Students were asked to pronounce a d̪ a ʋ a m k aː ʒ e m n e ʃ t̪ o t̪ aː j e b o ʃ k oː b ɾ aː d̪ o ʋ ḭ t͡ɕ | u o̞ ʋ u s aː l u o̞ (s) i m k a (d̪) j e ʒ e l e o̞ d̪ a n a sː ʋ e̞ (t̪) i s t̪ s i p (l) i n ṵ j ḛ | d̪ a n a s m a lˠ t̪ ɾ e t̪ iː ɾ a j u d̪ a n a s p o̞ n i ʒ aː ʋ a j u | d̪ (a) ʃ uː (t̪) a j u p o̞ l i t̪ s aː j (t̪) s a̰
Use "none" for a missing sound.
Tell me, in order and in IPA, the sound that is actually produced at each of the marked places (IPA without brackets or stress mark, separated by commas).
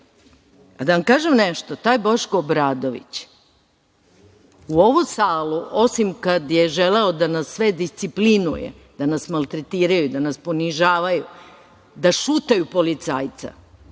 s, d̪, d̪, l, a, t̪, t̪